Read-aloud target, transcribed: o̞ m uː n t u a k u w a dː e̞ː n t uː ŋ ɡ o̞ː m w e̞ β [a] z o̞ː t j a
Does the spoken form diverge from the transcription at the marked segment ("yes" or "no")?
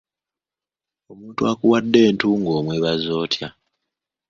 no